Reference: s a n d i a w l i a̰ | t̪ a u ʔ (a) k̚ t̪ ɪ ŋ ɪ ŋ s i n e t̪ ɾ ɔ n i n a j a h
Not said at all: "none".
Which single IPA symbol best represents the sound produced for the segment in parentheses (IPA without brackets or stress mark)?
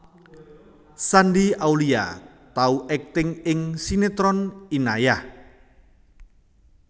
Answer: ɛ